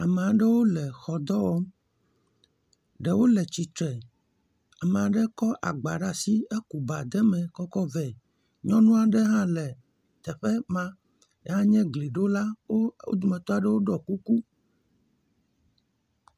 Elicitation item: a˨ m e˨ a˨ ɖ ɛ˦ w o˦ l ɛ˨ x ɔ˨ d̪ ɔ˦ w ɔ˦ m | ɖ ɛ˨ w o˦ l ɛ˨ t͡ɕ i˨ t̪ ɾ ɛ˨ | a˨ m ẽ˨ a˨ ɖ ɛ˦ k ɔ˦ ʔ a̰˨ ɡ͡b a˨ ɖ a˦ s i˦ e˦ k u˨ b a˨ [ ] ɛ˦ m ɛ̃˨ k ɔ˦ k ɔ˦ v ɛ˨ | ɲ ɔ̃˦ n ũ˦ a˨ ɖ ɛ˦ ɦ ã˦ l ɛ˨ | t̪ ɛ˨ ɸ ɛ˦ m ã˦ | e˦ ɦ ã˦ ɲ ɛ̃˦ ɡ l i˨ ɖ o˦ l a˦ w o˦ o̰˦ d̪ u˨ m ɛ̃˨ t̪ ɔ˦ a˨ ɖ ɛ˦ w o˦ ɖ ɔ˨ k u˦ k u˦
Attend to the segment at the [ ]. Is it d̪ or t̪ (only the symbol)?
d̪